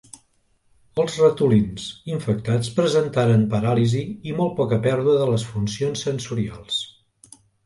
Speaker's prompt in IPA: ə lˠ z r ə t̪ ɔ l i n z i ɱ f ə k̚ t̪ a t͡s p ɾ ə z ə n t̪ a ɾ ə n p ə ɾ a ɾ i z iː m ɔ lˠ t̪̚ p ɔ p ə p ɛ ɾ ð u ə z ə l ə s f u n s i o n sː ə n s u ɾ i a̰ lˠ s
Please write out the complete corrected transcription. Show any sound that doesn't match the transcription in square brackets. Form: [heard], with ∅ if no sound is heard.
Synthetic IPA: ə lˠ z r ə t̪ [u] l i n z i ɱ f ə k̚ t̪ a t͡s p ɾ ə z ə n t̪ a ɾ ə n p ə ɾ a [l] i z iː m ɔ lˠ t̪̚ p ɔ [k] ə p ɛ ɾ ð u ə [ð] ə l ə s f u n s i o n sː ə n s u ɾ i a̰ lˠ s